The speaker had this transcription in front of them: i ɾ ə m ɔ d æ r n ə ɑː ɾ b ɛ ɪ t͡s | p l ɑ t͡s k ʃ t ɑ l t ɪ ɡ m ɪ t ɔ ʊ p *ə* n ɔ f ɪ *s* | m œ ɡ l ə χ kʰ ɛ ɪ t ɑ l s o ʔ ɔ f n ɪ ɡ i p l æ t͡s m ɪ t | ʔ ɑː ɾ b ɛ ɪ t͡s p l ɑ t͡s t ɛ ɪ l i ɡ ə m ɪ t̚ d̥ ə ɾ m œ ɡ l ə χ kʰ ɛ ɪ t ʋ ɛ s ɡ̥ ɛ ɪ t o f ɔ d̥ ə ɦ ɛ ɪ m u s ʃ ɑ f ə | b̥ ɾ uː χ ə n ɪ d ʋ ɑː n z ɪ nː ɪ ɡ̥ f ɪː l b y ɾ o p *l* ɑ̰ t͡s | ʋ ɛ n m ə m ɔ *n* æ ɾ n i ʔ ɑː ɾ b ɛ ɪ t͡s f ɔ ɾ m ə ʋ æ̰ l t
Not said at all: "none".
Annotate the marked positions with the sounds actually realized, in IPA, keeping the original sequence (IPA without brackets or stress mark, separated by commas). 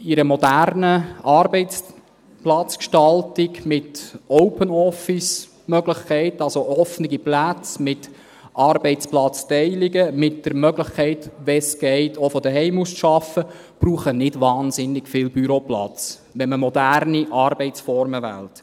ə, s, l, d